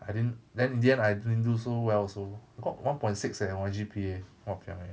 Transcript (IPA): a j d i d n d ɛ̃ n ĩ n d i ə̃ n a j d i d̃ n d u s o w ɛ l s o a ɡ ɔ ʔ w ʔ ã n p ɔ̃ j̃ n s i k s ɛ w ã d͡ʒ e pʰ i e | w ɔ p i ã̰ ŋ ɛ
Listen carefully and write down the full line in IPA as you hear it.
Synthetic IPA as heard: a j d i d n d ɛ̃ n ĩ n d i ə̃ n a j d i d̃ n d u s o w ɛ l s o a ɡ ɔ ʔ w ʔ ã n p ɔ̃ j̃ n s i k s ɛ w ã d͡ʒ i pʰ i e | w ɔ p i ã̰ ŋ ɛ